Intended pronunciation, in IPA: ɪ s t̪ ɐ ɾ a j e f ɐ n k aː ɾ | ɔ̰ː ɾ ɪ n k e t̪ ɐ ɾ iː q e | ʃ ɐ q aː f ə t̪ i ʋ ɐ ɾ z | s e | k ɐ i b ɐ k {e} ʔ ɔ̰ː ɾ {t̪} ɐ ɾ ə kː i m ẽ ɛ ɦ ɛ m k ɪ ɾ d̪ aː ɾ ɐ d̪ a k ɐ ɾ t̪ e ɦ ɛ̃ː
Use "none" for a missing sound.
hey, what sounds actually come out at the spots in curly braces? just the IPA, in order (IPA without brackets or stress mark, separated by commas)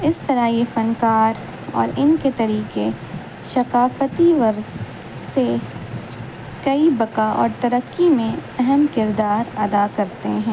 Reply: a, t̪